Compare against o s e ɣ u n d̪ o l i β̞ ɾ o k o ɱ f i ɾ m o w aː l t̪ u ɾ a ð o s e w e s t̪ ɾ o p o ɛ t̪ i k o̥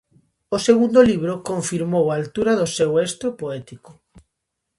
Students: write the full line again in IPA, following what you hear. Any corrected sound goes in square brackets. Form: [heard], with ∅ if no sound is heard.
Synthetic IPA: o s e ɣ u n d̪ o l i β̞ ɾ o k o ɱ f i ɾ m o w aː l t̪ u ɾ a ð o s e w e s t̪ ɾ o p o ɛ t̪ i k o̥